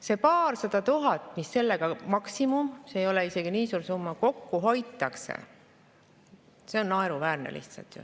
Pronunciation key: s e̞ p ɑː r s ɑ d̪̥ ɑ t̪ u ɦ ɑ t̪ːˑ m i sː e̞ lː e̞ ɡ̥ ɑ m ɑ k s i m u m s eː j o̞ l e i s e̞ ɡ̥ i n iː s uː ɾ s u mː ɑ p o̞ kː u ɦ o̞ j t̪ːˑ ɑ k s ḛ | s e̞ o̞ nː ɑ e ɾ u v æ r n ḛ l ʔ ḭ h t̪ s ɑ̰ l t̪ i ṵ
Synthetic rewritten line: s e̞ p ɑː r s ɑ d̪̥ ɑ t̪ u ɦ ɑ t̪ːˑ m i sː e̞ lː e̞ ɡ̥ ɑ m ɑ k s i m u m s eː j o̞ l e i s e̞ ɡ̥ i n iː s uː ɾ s u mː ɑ k o̞ kː u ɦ o̞ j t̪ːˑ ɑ k s ḛ | s e̞ o̞ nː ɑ e ɾ u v æː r n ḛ l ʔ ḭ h t̪ s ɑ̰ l t̪ j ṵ

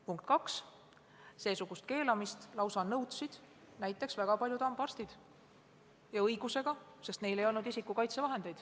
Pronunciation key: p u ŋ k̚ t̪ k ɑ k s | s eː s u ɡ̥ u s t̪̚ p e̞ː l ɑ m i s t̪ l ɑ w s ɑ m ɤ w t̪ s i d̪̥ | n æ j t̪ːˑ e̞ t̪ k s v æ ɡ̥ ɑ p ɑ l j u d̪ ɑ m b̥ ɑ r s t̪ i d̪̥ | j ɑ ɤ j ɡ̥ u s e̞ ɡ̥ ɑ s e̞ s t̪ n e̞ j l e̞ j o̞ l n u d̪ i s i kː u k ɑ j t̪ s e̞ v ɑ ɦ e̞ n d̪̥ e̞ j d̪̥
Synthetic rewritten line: p u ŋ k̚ t̪ k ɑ k s | s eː s u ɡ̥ u s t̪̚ k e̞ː l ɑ m i s t̪ l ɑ w s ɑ n ɤ w t̪ s i d̪̥ | n æ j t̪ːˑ e̞ k s v æ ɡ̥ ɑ p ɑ l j u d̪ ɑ m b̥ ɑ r s t̪ i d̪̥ | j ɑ ɤ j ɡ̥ u s e̞ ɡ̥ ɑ s e̞ s t̪ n e̞ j l e̞ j o̞ l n u d̪ i s i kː u k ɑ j t̪ s e̞ v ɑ ɦ e̞ n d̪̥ e̞ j d̪̥

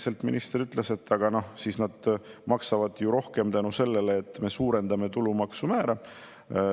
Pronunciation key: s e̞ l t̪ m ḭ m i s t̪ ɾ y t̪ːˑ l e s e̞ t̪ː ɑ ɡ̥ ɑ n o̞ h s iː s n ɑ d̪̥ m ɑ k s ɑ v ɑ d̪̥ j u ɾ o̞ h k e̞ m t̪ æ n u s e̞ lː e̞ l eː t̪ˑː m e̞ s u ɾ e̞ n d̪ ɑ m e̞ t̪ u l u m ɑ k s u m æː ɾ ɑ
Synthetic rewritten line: s e̞ l t̪ m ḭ n i s t̪ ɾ y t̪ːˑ l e s e̞ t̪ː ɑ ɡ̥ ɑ n o̞ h s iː s n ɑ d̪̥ m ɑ k s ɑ v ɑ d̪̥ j u ɾ o̞ h k e̞ m t̪ æ n u s e̞ lː e̞ l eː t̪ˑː m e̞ s uː ɾ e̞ n d̪ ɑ m e̞ t̪ u l u m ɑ k s u m æː ɾ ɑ

